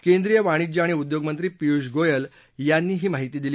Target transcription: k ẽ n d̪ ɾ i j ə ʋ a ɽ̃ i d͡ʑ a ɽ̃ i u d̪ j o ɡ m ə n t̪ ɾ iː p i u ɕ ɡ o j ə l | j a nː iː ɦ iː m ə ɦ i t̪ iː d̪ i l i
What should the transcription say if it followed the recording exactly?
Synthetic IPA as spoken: k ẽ n d̪ ɾ i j ə ʋ a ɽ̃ i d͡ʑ a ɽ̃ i u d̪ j o ɡ m ə n t̪ ɾ iː p i u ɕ ɡ o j ə l | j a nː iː ɦ iː m a ɦ i t̪ iː d̪ i l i